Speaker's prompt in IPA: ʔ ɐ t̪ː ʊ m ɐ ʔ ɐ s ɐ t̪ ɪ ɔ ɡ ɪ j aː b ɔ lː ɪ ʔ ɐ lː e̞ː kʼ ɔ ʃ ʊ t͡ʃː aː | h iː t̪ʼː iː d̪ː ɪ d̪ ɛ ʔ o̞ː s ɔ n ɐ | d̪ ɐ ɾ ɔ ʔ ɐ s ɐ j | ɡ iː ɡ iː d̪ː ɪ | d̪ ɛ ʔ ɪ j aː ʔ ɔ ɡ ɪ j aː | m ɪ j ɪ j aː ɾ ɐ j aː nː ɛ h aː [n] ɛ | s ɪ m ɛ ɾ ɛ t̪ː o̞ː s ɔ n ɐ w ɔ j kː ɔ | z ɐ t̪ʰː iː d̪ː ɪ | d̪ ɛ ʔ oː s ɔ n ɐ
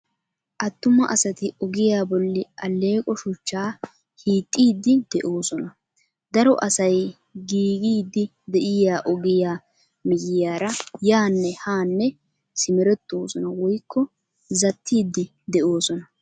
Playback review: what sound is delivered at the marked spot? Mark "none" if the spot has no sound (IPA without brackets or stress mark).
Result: nː